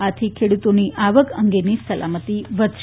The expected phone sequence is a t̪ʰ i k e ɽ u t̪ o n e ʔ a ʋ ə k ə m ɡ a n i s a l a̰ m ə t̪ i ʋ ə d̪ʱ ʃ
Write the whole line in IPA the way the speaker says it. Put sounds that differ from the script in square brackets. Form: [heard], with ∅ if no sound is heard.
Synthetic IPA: a t̪ʰ i [kʰ] e ɽ u t̪ o n [i] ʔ a ʋ ə k ə [ŋ] ɡ [e] n i s [ə] l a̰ m ə t̪ i ʋ ə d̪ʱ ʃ